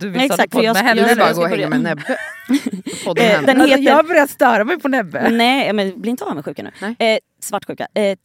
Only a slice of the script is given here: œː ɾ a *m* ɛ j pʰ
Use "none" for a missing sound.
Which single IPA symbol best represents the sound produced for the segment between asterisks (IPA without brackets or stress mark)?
m